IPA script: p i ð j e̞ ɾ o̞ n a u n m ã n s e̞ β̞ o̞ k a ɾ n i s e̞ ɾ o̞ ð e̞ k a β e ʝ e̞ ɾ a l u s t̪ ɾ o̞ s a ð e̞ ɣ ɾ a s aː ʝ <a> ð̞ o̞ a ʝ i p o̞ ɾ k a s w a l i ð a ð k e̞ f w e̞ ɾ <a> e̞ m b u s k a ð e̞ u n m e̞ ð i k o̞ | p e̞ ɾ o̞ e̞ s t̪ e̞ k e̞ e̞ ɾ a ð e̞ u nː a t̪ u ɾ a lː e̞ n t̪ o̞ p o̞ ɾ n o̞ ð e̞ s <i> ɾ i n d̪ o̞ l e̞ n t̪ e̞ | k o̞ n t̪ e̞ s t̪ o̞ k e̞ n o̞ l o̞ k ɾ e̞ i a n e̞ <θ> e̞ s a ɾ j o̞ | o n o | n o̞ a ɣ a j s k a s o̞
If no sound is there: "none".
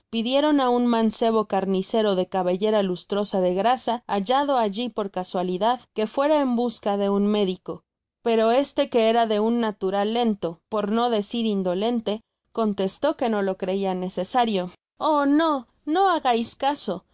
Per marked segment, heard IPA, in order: a, a, i, s

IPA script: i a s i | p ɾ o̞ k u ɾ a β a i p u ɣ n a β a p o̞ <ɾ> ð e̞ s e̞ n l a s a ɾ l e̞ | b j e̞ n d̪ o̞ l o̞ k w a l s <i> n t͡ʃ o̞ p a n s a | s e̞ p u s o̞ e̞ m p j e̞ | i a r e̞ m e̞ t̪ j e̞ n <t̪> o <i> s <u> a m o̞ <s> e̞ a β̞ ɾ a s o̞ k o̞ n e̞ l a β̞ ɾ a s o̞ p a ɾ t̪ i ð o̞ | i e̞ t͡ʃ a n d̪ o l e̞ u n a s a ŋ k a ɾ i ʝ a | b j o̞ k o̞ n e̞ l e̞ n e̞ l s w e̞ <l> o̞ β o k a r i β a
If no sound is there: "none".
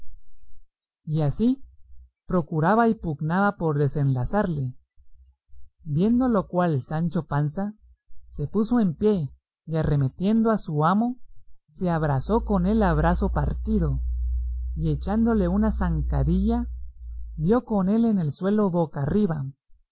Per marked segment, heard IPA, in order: ɾ, a, d̪, a, u, s, l

